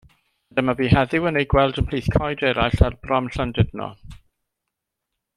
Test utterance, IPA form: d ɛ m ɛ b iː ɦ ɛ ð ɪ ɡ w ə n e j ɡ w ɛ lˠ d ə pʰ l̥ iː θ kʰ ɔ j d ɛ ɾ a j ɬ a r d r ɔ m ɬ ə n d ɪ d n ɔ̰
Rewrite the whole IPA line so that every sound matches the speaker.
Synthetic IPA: d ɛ m a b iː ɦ ɛ ð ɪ w ə n e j ɡ w ɛ lˠ d ə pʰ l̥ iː θ kʰ ɔ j d ɛ ɾ a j ɬ a r b r ɔ m ɬ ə n d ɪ d n ɔ̰